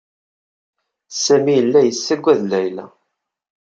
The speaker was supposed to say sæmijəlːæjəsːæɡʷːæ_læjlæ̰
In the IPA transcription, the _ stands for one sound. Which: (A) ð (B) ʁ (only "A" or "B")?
A